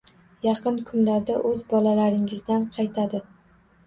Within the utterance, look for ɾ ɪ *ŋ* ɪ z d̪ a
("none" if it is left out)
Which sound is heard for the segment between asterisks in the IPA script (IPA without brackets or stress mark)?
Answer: ŋ